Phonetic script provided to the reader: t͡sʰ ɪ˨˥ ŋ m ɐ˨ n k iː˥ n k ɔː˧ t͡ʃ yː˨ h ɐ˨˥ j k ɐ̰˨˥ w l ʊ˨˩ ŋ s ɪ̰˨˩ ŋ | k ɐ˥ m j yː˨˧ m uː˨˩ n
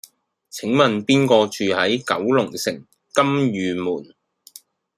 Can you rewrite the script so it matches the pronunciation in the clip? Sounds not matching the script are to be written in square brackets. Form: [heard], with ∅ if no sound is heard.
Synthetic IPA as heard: t͡sʰ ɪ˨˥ ŋ m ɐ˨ n [p] iː˥ n k ɔː˧ t͡ʃ yː˨ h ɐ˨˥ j k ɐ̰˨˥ w l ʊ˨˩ ŋ s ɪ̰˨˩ ŋ | k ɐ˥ m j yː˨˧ m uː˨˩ n